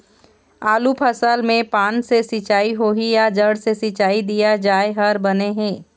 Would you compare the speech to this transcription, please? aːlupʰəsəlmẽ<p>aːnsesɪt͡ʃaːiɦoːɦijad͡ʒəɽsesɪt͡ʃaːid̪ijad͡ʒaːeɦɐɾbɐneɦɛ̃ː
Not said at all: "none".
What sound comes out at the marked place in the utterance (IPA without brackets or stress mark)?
p